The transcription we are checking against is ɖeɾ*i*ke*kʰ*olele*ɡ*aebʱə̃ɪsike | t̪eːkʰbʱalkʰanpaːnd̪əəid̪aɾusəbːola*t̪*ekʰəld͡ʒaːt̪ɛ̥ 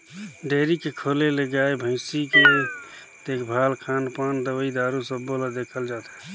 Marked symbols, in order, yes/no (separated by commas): yes, yes, yes, no